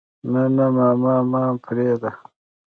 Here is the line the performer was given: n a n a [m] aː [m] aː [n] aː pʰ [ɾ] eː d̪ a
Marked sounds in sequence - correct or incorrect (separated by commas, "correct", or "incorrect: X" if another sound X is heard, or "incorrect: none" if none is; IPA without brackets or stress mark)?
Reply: correct, correct, incorrect: m, correct